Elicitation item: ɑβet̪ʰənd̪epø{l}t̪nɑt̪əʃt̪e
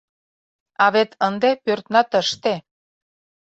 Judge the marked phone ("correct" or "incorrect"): incorrect